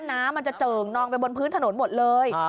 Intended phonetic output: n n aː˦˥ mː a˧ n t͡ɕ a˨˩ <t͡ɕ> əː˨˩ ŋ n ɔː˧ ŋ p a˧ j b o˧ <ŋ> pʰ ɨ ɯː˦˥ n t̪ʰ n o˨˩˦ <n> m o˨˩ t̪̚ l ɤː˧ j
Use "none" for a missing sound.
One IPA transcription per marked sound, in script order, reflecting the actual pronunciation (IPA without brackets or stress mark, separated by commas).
t͡ɕ, n, n